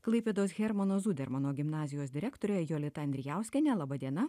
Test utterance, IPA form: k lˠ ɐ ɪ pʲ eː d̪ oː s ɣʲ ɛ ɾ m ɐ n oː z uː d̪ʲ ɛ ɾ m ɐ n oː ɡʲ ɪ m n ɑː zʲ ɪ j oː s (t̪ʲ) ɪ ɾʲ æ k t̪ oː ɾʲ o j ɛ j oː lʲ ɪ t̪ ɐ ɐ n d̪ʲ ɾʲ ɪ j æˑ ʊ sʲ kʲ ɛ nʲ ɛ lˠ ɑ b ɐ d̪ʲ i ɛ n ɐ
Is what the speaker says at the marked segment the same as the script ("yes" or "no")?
no